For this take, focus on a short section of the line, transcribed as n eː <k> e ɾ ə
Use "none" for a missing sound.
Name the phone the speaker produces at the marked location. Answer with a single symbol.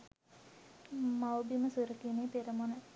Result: p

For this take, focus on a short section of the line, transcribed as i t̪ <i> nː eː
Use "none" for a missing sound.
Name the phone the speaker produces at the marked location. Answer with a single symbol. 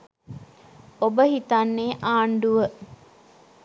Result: a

